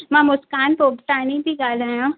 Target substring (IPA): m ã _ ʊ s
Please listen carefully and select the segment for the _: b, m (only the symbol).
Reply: m